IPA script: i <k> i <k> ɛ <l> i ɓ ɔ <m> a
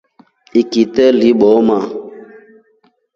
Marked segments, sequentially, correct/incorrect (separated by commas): correct, incorrect, correct, correct